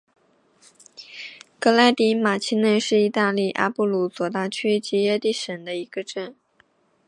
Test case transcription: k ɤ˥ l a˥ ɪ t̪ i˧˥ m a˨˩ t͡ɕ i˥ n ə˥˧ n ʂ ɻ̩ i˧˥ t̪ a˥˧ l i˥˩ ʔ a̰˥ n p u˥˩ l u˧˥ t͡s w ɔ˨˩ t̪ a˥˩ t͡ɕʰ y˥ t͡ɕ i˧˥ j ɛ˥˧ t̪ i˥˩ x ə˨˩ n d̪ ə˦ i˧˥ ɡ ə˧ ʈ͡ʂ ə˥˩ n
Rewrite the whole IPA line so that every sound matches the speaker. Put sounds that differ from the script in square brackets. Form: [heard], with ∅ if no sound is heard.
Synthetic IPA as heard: k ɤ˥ l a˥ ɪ t̪ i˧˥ m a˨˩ [t͡ɕʰ] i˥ n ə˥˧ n ʂ ɻ̩ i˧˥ t̪ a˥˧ l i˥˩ ʔ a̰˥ [∅] p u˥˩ l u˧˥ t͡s w ɔ˨˩ t̪ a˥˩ t͡ɕʰ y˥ t͡ɕ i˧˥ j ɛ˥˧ t̪ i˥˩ [ʂ] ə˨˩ n d̪ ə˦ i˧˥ ɡ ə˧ ʈ͡ʂ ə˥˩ n